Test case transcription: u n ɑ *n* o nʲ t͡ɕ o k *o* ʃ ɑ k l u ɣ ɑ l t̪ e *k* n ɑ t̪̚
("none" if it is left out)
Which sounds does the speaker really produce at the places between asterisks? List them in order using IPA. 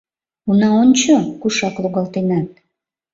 none, u, none

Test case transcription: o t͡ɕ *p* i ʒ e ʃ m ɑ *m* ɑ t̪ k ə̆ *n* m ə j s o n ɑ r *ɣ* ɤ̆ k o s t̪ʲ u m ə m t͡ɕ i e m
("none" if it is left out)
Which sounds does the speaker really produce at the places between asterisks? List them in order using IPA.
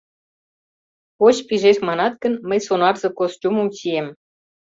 p, n, n, z

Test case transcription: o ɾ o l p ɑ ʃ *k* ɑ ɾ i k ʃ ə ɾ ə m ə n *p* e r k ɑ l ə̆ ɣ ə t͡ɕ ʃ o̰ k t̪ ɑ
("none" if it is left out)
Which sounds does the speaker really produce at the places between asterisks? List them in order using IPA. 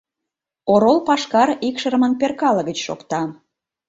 k, p

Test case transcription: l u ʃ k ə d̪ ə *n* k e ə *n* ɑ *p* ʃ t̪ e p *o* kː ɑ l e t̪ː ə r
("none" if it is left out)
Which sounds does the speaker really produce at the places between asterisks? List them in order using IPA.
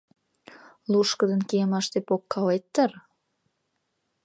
n, m, none, o

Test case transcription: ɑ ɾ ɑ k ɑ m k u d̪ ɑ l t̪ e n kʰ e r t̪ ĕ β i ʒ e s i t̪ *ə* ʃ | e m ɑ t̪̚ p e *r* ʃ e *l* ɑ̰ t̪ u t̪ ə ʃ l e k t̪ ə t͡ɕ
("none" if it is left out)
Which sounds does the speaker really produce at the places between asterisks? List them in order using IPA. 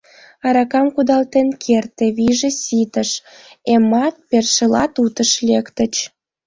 ə, r, l

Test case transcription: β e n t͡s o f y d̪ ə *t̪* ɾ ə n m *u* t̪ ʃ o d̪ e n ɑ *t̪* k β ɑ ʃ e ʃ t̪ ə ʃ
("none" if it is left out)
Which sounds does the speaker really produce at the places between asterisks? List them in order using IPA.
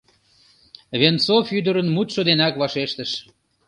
none, u, none

